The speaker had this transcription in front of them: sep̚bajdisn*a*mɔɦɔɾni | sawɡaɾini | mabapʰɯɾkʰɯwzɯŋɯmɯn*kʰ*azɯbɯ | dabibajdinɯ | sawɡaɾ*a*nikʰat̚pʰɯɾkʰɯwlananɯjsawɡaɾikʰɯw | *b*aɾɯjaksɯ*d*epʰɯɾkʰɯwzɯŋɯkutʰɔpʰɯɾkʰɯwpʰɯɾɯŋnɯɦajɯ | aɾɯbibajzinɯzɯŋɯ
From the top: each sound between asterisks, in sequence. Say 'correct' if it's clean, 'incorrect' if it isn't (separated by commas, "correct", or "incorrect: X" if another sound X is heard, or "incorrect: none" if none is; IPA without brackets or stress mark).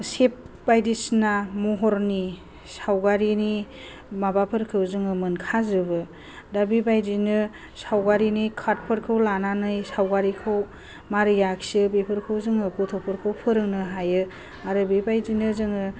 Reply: correct, correct, incorrect: i, incorrect: m, incorrect: b